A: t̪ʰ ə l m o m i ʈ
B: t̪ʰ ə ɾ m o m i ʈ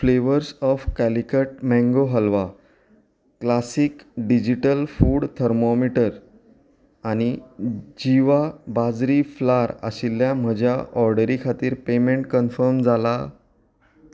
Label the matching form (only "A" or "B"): B